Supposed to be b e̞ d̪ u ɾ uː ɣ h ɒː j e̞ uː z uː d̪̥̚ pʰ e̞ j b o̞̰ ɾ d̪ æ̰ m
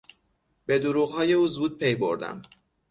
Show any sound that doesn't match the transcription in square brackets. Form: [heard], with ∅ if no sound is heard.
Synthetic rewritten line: b e̞ d̪ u ɾ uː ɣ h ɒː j e̞ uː z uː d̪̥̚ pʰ e̞ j b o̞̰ ɾ d̪ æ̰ m